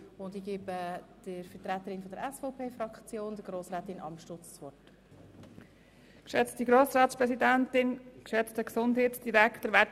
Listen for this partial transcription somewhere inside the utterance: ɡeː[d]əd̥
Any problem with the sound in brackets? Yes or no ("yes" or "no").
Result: yes